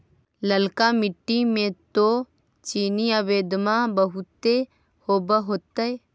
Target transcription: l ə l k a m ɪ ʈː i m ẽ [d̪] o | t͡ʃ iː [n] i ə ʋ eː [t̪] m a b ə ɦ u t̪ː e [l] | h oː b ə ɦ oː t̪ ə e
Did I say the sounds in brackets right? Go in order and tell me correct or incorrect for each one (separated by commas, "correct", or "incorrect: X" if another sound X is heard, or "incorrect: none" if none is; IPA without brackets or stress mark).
incorrect: t̪, correct, incorrect: d̪, incorrect: none